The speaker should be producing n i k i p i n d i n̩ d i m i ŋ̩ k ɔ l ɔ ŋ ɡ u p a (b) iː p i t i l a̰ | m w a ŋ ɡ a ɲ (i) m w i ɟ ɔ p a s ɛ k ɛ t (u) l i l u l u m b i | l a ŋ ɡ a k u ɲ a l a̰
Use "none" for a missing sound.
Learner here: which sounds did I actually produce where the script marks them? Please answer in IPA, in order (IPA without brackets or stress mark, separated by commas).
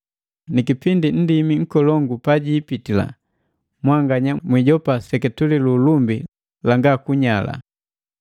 ɟ, a, u